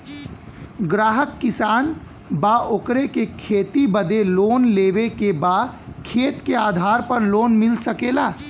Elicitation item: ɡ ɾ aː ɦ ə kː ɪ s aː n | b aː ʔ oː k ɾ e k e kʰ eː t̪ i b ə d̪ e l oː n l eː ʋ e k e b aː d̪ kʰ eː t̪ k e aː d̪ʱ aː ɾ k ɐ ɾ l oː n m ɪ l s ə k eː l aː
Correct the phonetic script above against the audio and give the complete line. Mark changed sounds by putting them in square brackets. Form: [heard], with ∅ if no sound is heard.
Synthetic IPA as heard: ɡ ɾ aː ɦ ə kː ɪ s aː n | b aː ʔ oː k ɾ e k e kʰ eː t̪ i b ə d̪ e l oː n l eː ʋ e k e b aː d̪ kʰ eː t̪ k e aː d̪ʱ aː ɾ [p] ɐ ɾ l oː n m ɪ l s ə k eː l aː